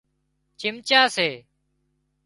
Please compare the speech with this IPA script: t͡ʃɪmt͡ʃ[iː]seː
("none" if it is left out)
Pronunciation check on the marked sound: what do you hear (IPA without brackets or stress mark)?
aː